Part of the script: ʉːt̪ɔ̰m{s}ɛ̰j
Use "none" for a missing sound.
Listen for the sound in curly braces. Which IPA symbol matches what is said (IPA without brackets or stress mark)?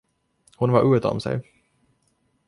s